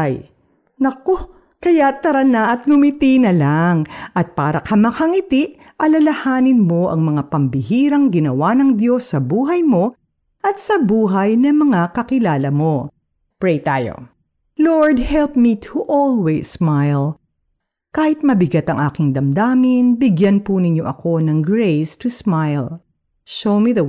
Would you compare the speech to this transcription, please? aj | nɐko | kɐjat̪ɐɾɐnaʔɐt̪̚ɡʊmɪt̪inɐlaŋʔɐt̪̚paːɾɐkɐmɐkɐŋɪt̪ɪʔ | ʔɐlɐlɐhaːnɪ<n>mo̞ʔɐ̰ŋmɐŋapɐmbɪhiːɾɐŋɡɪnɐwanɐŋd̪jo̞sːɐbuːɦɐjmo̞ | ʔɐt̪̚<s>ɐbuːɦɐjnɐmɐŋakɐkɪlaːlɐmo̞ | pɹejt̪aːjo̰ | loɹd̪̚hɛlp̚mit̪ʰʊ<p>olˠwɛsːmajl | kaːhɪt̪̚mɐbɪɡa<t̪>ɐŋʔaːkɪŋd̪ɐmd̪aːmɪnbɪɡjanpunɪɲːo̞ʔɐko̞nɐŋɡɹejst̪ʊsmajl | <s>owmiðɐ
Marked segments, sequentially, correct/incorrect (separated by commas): correct, correct, incorrect, correct, incorrect